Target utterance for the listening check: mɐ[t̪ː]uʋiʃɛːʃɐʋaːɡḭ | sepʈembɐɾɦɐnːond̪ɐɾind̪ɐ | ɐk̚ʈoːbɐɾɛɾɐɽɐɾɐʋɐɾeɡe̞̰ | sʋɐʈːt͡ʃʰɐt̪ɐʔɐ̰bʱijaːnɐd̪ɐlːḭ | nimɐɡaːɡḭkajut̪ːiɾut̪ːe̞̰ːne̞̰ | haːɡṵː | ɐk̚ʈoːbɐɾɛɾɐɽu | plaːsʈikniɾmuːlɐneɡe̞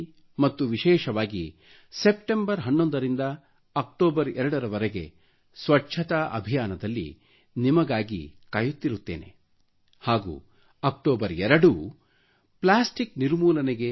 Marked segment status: correct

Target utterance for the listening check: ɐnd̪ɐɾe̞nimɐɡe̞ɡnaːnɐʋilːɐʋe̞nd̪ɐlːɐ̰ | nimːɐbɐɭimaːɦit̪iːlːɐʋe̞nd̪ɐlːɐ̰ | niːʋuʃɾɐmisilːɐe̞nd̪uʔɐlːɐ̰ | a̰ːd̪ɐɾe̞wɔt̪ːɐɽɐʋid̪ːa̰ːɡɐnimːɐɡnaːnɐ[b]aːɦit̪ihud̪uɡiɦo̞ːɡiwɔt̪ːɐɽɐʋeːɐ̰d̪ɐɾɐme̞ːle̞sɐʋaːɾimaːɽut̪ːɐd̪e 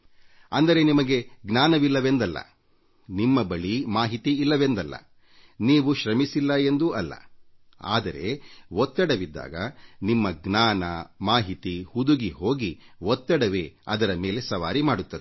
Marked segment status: incorrect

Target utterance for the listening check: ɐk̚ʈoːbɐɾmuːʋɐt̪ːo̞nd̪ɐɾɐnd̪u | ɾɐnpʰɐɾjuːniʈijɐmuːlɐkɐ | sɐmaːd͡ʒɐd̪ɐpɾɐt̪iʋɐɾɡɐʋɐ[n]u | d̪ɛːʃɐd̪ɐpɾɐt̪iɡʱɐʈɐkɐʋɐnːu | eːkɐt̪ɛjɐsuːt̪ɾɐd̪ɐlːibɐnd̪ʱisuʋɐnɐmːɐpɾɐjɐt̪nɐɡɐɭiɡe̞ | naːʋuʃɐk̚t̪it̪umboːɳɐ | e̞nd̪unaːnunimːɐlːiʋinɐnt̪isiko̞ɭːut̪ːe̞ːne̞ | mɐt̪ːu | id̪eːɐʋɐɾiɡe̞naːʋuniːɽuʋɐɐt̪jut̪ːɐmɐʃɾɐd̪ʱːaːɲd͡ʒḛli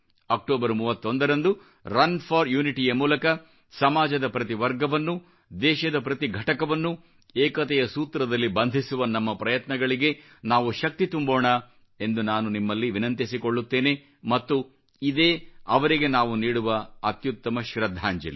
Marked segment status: incorrect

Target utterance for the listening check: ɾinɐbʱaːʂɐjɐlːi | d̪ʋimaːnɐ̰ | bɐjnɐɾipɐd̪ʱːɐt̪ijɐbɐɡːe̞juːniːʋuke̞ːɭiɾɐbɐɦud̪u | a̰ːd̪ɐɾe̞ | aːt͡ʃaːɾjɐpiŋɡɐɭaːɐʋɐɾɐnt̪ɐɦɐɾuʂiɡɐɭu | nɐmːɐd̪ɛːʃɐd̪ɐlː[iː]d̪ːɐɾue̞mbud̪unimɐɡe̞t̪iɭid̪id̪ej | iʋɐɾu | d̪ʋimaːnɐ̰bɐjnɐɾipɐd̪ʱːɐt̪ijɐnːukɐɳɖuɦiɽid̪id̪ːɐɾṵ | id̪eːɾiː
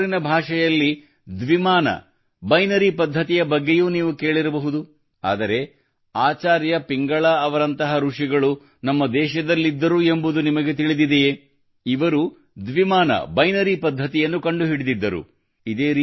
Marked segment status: incorrect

